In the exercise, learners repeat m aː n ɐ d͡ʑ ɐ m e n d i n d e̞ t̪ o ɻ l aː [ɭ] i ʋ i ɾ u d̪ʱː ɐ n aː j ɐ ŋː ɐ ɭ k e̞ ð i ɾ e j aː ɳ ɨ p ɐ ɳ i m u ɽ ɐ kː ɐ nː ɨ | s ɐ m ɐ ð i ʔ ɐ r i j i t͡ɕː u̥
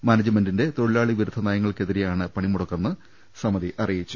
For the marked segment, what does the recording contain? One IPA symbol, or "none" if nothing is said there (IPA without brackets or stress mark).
ɭ